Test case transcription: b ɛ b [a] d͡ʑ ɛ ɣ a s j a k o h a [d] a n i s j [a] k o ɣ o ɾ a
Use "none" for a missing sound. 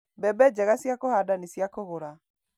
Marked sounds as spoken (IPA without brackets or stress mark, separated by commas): ɛ, d, a